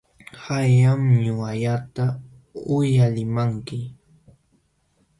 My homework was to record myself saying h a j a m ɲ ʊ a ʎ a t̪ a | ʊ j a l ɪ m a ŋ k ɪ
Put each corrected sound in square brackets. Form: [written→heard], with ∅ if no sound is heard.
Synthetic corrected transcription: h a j a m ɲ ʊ a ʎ a t̪ a | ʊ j a l ɪ m a ŋ k ɪ

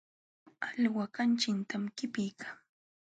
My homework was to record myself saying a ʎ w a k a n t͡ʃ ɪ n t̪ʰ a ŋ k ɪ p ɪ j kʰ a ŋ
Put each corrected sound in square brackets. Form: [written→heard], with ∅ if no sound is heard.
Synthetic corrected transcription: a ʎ w a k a n t͡ʃ ɪ n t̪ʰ a [ŋ→m] k ɪ p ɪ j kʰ a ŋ

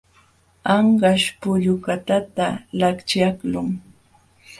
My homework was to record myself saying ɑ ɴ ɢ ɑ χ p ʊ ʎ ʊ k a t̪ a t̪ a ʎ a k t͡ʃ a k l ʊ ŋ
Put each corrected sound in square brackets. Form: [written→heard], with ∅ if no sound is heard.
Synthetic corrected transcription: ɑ ɴ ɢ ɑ [χ→ʃ] p ʊ ʎ ʊ k a t̪ a t̪ a [ʎ→l] a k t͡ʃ a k l ʊ ŋ

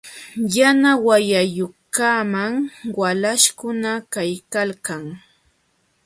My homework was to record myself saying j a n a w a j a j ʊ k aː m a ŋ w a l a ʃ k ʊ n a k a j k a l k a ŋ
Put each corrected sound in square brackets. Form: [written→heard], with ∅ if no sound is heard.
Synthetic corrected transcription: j a n a w a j a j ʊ k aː m a ŋ w a l a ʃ k ʊ n a k a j k a l k a ŋ

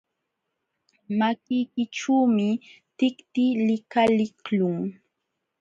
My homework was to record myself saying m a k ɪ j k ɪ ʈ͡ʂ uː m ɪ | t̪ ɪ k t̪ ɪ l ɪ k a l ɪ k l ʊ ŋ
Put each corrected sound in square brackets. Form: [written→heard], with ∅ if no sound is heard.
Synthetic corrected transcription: m a k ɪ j k ɪ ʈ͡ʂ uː m ɪ | t̪ ɪ k t̪ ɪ l ɪ k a l ɪ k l ʊ ŋ

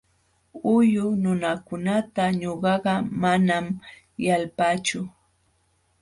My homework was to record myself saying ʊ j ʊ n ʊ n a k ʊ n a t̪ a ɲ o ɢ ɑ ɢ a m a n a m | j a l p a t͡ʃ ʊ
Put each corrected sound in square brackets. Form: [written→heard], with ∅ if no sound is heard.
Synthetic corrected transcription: ʊ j ʊ n ʊ n a k ʊ n a t̪ a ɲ o ɢ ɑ ɢ [a→ɑ] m a n a m | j a l p a t͡ʃ ʊ

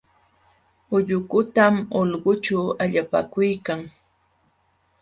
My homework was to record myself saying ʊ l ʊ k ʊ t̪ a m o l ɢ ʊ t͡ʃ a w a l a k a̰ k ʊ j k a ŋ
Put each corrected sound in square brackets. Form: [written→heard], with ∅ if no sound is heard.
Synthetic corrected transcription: ʊ [l→ʎ] ʊ k ʊ t̪ a m o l ɢ ʊ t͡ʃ a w a [l→ʎ] a [k→p] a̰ k ʊ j k a ŋ

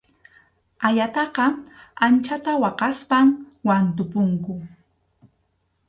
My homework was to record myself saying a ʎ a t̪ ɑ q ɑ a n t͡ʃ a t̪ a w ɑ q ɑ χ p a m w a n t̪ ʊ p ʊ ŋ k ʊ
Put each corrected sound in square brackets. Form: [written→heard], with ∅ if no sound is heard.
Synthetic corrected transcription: a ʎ a t̪ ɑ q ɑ a n t͡ʃ a t̪ a w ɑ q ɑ [χ→s] p a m w a n t̪ ʊ p ʊ ŋ k ʊ

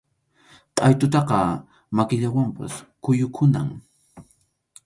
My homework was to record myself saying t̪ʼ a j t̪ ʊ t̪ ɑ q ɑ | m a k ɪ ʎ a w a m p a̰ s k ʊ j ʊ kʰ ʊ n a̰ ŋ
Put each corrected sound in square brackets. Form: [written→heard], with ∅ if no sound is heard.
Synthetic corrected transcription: t̪ʼ a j t̪ ʊ t̪ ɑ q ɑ | m a k ɪ ʎ a w a m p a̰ s k ʊ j ʊ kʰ ʊ n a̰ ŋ

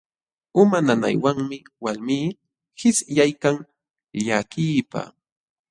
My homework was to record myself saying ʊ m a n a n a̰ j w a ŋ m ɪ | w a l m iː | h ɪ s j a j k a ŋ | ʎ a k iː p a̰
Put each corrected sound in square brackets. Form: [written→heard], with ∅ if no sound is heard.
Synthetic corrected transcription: ʊ m a n a n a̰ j w a ŋ m ɪ | w a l m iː | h ɪ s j a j k a ŋ | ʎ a k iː p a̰

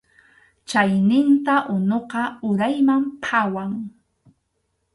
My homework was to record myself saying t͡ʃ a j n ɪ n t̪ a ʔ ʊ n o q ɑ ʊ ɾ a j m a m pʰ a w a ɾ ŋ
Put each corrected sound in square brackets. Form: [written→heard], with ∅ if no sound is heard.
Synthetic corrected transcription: t͡ʃ a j n ɪ n t̪ a ʔ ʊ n o q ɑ ʊ ɾ a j m a m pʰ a w a [ɾ→∅] ŋ

